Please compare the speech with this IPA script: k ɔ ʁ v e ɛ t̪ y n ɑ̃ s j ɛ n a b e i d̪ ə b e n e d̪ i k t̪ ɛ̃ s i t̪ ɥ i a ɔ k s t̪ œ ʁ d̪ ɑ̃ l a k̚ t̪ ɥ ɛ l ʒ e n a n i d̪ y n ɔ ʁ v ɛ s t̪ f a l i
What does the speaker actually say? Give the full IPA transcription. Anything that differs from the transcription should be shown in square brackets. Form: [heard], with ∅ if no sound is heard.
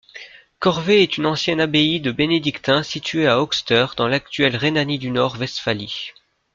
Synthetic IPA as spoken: k ɔ ʁ v e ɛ t̪ y n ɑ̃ s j ɛ n a b e i d̪ ə b e n e d̪ i k t̪ ɛ̃ s i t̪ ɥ [e] a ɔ k s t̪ œ ʁ d̪ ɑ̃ l a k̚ t̪ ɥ ɛ l [ʁ] e n a n i d̪ y n ɔ ʁ v ɛ s t̪ f a l i

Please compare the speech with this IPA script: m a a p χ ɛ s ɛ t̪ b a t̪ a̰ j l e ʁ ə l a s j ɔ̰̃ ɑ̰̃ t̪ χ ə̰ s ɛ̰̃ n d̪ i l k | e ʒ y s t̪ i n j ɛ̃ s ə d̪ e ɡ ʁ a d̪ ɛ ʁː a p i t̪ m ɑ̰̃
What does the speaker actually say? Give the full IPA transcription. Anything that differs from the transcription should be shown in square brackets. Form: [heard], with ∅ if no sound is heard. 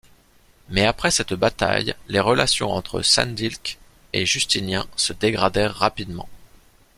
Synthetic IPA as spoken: m [ɛ] a p χ ɛ s ɛ t̪ b a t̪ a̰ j l e ʁ ə l a s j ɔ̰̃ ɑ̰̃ t̪ χ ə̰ s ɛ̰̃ n d̪ i l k | e ʒ y s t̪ i n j ɛ̃ s ə d̪ e ɡ ʁ a d̪ ɛ ʁː a p i [d̪] m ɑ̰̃

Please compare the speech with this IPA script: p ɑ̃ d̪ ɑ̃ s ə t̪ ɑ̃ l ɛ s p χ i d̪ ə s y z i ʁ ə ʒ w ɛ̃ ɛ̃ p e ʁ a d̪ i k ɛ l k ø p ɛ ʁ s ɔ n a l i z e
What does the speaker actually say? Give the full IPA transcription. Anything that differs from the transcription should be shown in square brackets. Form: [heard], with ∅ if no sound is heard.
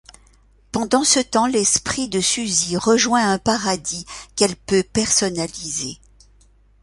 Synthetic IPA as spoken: p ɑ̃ d̪ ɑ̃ s ə t̪ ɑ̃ l ɛ s p χ i d̪ ə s y z i ʁ ə ʒ w ɛ̃ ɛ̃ p [a] ʁ a d̪ i k ɛ l [p] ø p ɛ ʁ s ɔ n a l i z e

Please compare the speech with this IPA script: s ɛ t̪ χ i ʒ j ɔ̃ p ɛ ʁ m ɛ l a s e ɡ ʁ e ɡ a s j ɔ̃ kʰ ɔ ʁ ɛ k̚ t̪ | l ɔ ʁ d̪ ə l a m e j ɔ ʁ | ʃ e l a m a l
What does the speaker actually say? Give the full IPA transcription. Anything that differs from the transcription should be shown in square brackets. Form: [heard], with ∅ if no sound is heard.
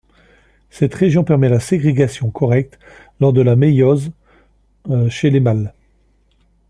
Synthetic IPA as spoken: s ɛ t̪ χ [e] ʒ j ɔ̃ p ɛ ʁ m ɛ l a s e ɡ ʁ e ɡ a s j ɔ̃ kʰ ɔ ʁ ɛ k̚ t̪ | l ɔ ʁ d̪ ə l a m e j ɔ [z] | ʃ e l [e] m a l

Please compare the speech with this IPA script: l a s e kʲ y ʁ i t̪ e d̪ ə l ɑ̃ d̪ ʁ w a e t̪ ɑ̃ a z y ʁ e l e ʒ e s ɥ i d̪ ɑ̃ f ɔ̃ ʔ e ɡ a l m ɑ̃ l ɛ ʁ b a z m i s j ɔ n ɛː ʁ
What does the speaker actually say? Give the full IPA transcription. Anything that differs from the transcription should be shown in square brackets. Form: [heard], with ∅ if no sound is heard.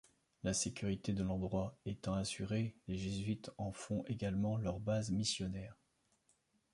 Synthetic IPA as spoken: l a s e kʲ y ʁ i t̪ e d̪ ə l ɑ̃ d̪ ʁ w a e t̪ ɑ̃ a [s] y ʁ e l e ʒ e [z] ɥ i [t̪] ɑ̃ f ɔ̃ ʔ e ɡ a l m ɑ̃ l [œ] ʁ b a z m i s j ɔ n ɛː ʁ

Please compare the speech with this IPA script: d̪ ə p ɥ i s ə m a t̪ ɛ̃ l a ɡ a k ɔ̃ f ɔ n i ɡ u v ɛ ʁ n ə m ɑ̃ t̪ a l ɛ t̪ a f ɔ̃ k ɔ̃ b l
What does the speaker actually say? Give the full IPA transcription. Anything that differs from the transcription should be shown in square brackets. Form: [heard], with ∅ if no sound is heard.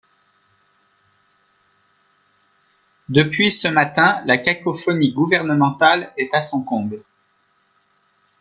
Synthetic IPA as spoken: d̪ ə p ɥ i s ə m a t̪ ɛ̃ l a [k] a k [ɔ] f ɔ n i ɡ u v ɛ ʁ n ə m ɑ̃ t̪ a l ɛ t̪ a [s] ɔ̃ k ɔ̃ b l

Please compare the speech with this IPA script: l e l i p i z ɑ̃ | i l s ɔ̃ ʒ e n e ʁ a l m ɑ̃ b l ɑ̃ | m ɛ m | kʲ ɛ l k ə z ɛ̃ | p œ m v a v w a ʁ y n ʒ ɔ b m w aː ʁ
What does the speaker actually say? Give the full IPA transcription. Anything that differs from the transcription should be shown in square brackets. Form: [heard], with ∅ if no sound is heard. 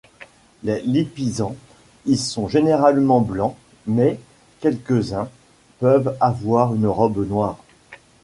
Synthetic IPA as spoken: l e l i p i z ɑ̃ | i l s ɔ̃ ʒ e n e ʁ a l m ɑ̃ b l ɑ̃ | m ɛ [∅] | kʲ ɛ l k ə z ɛ̃ | p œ [∅] v a v w a ʁ y n [ʁ] ɔ b [n] w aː ʁ

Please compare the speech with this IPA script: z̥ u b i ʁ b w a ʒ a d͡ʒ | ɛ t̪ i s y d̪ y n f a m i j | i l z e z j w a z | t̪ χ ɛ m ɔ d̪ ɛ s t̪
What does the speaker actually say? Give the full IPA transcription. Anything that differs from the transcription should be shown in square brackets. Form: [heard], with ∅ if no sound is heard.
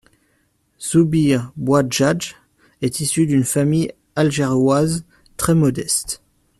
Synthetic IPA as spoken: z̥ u b i ʁ b w a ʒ a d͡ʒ | ɛ t̪ i s y d̪ y n f a m i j | [a] l [ʒ] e [ʁ] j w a z | t̪ χ ɛ m ɔ d̪ ɛ s t̪

